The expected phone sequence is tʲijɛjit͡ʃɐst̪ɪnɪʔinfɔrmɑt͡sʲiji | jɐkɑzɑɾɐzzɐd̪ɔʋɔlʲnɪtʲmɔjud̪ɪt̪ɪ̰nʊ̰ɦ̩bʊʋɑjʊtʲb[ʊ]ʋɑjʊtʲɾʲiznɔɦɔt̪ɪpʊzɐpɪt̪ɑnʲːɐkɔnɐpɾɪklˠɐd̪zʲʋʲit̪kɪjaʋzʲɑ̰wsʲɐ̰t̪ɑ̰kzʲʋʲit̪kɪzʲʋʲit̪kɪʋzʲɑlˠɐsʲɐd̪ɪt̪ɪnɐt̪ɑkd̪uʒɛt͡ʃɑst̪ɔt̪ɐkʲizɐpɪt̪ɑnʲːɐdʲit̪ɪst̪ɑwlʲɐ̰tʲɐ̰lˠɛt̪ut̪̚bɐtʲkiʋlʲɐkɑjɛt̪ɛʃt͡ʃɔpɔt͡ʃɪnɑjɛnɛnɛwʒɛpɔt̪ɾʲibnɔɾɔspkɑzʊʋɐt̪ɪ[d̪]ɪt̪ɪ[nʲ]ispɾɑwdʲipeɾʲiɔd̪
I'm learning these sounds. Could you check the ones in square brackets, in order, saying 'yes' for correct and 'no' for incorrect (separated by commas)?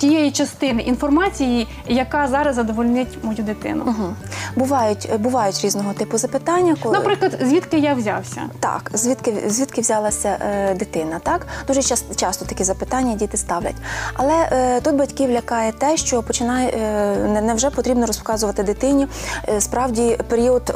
yes, yes, yes